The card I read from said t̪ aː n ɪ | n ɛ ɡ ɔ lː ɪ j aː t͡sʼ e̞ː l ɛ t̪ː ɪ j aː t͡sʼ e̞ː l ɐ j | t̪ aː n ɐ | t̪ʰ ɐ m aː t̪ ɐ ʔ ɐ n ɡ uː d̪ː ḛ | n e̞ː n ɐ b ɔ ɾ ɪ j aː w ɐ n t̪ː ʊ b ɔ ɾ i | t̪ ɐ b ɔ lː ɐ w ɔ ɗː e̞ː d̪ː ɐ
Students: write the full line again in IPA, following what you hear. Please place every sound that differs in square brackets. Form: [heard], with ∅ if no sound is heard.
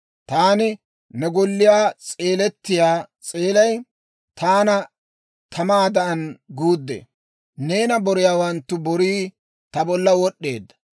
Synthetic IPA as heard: t̪ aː n ɪ | n ɛ ɡ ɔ lː ɪ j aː t͡sʼ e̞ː l ɛ t̪ː ɪ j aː t͡sʼ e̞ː l ɐ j | t̪ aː n ɐ | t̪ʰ ɐ m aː [d̪] ɐ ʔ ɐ n ɡ uː d̪ː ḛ | n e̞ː n ɐ b ɔ ɾ ɪ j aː w ɐ n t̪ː ʊ b ɔ ɾ [iː] | t̪ ɐ b ɔ lː ɐ w ɔ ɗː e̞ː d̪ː ɐ

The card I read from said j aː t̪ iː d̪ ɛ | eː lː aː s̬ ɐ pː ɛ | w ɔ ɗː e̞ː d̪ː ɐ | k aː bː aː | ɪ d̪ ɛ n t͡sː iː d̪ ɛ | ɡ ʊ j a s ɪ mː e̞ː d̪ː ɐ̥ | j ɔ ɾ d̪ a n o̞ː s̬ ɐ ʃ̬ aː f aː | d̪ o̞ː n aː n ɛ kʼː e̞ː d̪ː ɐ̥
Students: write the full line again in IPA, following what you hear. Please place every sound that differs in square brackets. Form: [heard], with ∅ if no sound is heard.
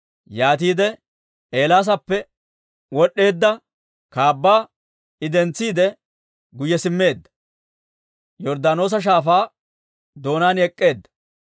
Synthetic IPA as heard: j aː t̪ iː d̪ ɛ | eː [l] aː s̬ ɐ pː ɛ | w ɔ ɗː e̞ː d̪ː ɐ | k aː bː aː | ɪ d̪ ɛ n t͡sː iː d̪ ɛ | ɡ ʊ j [ɛ] s ɪ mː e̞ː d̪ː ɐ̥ | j ɔ ɾ d̪ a n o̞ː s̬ ɐ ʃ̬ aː f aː | d̪ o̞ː n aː n ɛ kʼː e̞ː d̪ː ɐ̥

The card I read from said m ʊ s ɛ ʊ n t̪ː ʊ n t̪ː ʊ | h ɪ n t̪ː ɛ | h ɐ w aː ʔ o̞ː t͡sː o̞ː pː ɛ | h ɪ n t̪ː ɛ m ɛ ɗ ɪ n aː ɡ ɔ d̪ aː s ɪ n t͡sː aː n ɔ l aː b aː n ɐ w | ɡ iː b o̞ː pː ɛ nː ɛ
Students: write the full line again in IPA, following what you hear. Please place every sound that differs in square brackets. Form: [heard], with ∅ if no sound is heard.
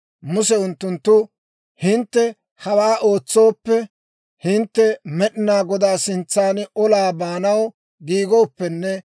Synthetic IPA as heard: m ʊ s ɛ ʊ n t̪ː ʊ n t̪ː ʊ | h ɪ n t̪ː ɛ | h ɐ w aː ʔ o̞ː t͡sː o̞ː pː ɛ | h ɪ n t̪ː ɛ m ɛ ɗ ɪ n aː ɡ ɔ d̪ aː s ɪ n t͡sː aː n ɔ l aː b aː n ɐ w | ɡ iː [ɡ] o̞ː pː ɛ nː ɛ

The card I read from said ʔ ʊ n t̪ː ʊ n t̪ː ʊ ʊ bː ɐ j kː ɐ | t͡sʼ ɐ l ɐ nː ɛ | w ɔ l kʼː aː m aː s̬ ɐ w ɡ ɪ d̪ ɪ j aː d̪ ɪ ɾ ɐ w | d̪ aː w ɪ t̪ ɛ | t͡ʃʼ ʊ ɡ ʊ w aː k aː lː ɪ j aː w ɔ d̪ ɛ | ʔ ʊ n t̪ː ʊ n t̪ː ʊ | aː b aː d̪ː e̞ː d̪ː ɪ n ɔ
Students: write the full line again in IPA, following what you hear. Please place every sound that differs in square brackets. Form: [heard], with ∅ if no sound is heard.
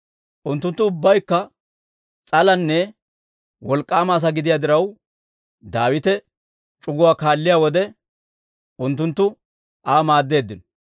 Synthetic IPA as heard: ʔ ʊ n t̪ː ʊ n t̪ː ʊ ʊ bː ɐ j kː ɐ | t͡sʼ ɐ l ɐ nː ɛ | w ɔ l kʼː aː m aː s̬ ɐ [∅] ɡ ɪ d̪ ɪ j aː d̪ ɪ ɾ ɐ w | d̪ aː w ɪ t̪ ɛ | t͡ʃʼ ʊ ɡ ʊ w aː k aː lː ɪ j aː w ɔ d̪ ɛ | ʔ ʊ n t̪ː ʊ n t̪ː ʊ | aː [m] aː d̪ː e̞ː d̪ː ɪ n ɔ

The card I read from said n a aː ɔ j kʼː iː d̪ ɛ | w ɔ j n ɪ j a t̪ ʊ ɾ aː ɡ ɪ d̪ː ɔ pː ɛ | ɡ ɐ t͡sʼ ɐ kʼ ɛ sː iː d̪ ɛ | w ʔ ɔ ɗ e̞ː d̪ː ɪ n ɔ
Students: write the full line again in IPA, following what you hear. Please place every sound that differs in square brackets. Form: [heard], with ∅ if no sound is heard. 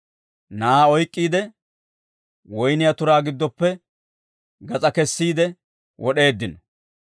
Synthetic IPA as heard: n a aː ɔ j kʼː iː d̪ ɛ | w ɔ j n ɪ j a t̪ ʊ ɾ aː ɡ ɪ d̪ː ɔ pː ɛ | ɡ ɐ t͡sʼ ɐ [k] ɛ sː iː d̪ ɛ | w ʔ ɔ ɗ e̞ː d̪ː ɪ n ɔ

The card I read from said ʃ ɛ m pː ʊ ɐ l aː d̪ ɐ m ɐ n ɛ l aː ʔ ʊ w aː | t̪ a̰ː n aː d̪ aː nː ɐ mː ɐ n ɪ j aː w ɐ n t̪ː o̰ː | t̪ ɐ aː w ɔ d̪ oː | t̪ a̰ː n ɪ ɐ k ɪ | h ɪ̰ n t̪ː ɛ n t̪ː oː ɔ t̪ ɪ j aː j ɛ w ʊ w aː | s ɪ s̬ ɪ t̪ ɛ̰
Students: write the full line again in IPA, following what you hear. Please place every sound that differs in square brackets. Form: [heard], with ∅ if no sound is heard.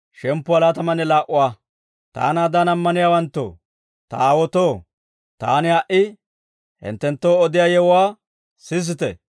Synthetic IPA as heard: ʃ ɛ m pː ʊ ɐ l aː [t̪] ɐ m ɐ n ɛ l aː ʔ ʊ w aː | t̪ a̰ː n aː d̪ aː [n] ɐ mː ɐ n ɪ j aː w ɐ n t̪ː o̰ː | t̪ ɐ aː w ɔ [t̪] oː | t̪ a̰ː n ɪ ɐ [ʔ] ɪ | h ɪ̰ n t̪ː ɛ n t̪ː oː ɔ [d̪] ɪ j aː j ɛ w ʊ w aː | s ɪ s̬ ɪ t̪ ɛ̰

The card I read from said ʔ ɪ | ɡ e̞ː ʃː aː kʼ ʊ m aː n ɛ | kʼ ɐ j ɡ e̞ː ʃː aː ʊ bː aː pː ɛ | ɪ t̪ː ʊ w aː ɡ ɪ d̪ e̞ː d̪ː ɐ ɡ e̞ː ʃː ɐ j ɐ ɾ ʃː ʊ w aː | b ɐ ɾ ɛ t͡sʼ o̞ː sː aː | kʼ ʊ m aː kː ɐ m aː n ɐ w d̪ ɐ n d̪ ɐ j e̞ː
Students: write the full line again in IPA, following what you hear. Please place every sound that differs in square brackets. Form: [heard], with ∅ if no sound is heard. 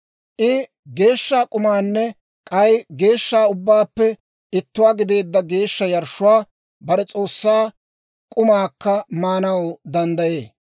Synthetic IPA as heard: ʔ ɪ | ɡ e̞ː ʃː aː kʼ ʊ m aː [nː] ɛ | kʼ ɐ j ɡ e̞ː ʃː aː ʊ bː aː pː ɛ | ɪ t̪ː ʊ w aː ɡ ɪ d̪ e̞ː d̪ː ɐ ɡ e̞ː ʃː ɐ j ɐ ɾ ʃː ʊ w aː | b ɐ ɾ ɛ t͡sʼ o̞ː sː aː | kʼ ʊ m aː kː ɐ m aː n ɐ w d̪ ɐ n d̪ ɐ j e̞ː

